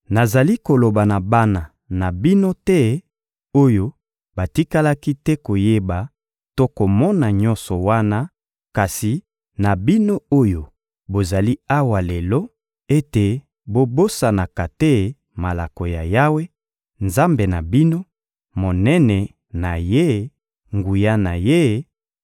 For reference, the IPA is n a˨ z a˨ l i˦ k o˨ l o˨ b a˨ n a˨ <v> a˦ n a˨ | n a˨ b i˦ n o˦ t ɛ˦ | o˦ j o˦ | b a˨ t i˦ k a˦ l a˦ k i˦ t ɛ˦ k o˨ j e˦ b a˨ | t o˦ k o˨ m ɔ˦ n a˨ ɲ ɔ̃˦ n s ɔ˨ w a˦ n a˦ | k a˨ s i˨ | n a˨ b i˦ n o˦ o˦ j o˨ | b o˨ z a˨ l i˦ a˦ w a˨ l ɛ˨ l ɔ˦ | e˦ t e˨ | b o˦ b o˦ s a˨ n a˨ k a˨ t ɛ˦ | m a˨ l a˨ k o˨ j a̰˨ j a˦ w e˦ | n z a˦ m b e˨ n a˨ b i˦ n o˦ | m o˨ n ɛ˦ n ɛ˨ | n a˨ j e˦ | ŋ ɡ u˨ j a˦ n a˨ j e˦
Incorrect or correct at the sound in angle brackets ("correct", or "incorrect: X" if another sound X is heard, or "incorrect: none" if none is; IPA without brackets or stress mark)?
incorrect: b